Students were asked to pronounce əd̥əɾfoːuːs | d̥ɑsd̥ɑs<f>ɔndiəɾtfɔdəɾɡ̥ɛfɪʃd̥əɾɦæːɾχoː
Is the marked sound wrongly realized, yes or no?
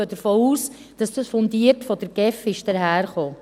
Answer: no